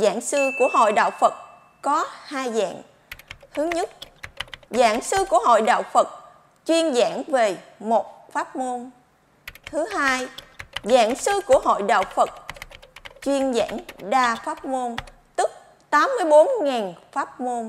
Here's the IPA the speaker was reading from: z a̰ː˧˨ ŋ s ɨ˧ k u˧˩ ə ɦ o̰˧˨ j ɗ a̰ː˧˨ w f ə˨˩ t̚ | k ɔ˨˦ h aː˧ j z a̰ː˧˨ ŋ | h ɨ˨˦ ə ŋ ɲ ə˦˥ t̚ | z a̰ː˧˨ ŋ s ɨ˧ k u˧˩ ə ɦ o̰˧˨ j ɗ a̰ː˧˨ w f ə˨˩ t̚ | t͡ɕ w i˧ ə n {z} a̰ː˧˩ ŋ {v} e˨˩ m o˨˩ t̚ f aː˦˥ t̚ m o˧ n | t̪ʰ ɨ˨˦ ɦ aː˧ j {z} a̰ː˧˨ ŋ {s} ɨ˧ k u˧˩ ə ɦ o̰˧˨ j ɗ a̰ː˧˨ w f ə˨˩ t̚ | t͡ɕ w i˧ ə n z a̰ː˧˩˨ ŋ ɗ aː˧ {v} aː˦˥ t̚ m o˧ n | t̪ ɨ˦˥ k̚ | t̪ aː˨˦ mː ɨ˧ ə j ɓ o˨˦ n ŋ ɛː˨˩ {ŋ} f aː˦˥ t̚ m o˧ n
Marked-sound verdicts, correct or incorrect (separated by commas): correct, correct, correct, correct, incorrect, incorrect